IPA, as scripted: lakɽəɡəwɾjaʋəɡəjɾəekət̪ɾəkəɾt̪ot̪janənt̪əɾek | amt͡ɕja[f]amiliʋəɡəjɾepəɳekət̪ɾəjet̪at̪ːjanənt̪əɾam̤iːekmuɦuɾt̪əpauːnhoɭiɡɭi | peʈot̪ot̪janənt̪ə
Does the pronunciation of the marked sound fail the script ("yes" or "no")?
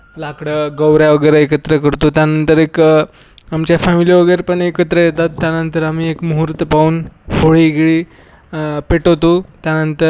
no